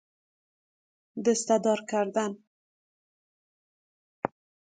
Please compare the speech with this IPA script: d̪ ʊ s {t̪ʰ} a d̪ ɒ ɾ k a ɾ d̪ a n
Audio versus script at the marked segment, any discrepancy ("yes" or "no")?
yes